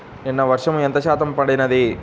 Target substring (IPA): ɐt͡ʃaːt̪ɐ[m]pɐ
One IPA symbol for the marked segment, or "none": m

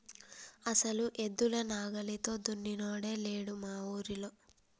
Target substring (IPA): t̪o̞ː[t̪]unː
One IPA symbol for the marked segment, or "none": d̪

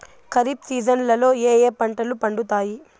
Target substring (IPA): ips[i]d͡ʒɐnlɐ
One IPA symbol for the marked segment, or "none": iː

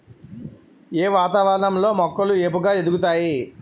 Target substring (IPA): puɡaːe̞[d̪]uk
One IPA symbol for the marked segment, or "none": d̪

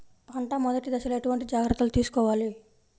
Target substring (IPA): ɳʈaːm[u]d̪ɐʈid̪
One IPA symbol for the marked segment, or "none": ɔ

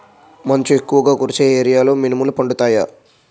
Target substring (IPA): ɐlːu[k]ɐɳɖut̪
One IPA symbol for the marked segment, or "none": p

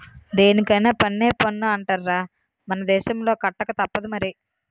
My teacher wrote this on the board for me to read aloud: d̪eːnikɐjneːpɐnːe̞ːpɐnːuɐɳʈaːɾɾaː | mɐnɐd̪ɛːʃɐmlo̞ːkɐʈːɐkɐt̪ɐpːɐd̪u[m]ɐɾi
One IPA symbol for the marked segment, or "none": m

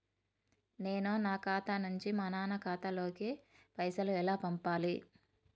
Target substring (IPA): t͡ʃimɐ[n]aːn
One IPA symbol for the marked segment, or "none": n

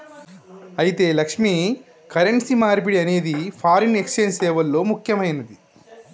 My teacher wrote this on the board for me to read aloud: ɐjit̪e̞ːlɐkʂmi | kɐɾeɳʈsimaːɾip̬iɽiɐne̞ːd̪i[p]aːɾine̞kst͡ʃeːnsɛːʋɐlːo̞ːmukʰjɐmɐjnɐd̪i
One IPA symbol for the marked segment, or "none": pʰ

